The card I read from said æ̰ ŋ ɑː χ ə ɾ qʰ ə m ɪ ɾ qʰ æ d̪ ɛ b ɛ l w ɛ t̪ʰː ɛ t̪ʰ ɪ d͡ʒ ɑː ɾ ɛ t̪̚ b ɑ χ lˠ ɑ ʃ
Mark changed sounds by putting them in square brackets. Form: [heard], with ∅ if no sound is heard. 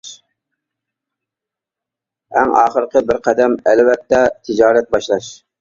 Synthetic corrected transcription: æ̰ ŋ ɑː χ ə ɾ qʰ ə [b] ɪ ɾ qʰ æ d̪ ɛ [m] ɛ l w ɛ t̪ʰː ɛ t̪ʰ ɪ d͡ʒ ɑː ɾ ɛ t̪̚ b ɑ [ʃ] lˠ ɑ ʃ